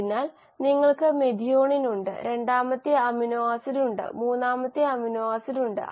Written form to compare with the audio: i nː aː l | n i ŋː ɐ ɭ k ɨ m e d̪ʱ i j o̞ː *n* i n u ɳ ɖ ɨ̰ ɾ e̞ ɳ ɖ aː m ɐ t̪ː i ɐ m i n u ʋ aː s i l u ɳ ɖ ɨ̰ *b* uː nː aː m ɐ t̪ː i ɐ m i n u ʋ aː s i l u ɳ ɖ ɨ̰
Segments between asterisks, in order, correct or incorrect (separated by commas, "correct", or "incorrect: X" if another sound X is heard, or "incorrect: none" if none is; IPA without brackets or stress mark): incorrect: ɳ, incorrect: m